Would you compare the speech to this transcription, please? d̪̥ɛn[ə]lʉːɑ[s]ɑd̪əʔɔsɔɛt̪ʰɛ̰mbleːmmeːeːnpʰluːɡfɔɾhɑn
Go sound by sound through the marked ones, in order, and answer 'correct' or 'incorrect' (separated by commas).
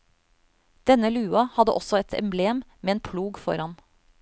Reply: correct, incorrect